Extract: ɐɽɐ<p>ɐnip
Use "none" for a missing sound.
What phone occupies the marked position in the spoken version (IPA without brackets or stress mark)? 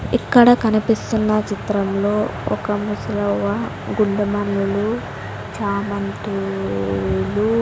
k